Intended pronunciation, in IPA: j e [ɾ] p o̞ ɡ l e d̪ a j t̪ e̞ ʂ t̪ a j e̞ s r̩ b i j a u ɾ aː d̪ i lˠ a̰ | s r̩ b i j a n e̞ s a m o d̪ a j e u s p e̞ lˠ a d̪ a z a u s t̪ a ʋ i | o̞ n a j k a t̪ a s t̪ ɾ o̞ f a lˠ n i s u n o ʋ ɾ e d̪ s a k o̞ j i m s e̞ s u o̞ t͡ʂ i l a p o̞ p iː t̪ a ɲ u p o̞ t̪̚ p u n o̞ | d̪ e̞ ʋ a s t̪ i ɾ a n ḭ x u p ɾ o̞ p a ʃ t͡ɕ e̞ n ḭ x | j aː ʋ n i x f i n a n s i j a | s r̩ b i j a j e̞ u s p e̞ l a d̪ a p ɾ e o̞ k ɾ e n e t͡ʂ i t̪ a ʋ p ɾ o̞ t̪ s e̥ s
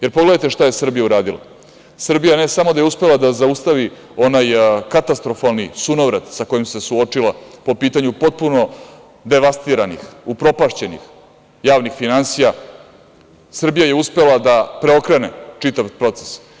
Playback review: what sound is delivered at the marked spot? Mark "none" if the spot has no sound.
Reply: ɾ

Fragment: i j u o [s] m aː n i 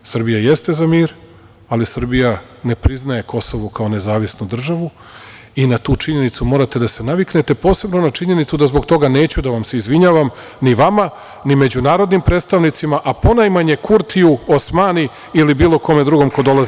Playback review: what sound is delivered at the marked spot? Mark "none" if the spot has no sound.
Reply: s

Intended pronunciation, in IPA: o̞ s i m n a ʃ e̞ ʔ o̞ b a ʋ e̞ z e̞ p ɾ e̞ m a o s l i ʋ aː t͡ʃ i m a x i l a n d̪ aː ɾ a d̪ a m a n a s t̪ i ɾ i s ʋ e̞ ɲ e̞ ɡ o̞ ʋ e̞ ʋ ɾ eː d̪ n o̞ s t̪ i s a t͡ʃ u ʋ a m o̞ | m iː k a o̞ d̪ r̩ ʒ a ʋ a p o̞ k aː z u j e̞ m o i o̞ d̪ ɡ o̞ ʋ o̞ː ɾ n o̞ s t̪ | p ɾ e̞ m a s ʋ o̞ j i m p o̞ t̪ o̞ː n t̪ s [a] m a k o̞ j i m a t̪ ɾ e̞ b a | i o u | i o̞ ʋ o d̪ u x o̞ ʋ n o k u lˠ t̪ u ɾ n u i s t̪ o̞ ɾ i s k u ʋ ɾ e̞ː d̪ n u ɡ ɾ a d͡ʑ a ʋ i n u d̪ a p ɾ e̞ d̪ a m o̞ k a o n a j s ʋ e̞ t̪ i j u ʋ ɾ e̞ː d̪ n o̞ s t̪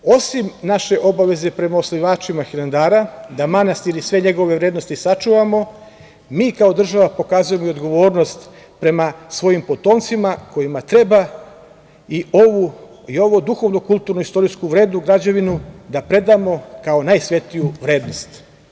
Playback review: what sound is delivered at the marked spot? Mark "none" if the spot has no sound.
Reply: i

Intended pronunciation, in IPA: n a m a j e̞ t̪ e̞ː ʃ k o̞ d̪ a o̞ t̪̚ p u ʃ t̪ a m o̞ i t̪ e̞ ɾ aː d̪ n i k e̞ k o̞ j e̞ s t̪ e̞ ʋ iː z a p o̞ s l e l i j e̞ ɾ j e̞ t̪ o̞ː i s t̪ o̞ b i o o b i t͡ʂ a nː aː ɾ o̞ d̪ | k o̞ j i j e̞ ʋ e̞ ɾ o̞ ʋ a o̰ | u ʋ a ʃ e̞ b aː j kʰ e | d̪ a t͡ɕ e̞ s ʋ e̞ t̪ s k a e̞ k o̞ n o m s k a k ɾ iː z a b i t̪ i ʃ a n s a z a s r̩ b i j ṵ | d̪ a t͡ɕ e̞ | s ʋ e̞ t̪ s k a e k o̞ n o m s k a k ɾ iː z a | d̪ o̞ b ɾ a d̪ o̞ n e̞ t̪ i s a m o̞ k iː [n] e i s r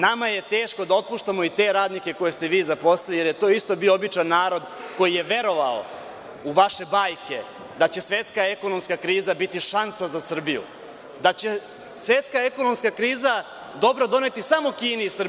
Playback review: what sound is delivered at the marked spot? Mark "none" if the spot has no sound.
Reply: n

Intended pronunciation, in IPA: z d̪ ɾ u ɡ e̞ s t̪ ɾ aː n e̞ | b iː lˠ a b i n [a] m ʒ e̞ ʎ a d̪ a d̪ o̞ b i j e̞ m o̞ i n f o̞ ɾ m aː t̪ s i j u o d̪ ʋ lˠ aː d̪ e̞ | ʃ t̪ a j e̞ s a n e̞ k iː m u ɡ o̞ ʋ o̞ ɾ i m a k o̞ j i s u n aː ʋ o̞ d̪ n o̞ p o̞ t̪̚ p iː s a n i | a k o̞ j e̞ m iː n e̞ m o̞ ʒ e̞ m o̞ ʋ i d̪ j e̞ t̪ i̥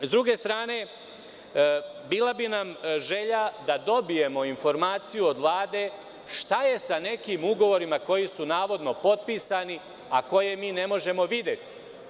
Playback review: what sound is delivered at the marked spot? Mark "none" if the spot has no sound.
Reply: a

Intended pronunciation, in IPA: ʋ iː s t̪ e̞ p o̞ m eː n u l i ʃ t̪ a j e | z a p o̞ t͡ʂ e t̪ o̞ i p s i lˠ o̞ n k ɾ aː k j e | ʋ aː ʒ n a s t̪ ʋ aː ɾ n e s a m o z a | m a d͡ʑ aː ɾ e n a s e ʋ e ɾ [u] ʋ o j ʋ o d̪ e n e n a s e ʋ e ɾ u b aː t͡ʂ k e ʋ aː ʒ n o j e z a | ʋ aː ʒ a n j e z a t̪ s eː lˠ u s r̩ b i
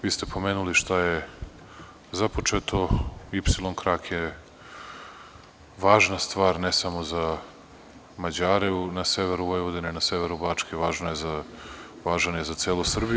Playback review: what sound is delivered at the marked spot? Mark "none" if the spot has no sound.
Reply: u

